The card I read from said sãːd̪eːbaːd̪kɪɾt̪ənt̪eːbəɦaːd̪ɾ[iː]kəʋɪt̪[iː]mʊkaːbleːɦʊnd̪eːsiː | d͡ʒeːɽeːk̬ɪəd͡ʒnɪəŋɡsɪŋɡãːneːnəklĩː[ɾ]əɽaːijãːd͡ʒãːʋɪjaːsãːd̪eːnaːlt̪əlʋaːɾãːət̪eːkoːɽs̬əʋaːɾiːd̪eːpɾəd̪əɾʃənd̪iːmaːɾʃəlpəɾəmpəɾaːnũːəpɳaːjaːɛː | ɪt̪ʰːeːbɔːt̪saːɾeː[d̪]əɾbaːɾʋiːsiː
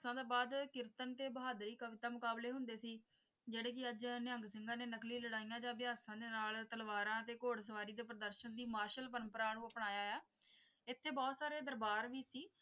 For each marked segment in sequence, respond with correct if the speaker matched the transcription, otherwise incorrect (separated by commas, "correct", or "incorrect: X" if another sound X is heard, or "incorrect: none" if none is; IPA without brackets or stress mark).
correct, incorrect: aː, incorrect: l, correct